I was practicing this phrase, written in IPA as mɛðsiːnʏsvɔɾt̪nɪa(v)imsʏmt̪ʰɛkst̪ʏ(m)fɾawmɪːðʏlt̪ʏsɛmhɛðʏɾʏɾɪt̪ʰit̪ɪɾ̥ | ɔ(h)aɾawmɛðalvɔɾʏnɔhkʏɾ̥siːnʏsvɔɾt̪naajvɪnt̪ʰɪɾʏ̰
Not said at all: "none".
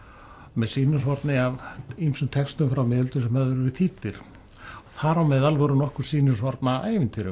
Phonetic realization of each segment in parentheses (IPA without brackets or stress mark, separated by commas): v, m, θ